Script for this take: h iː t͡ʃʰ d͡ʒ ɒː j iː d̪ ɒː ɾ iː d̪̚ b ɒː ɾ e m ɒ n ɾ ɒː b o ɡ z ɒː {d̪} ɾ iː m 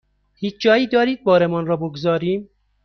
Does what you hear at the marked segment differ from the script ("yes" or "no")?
yes